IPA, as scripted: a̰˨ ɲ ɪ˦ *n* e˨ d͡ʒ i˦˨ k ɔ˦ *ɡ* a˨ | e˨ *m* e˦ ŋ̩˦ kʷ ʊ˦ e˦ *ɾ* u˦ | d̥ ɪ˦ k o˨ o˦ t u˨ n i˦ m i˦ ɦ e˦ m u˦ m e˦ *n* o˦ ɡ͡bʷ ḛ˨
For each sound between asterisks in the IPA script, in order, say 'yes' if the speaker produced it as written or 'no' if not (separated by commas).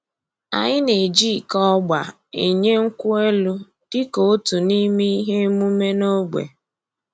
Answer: yes, no, no, no, yes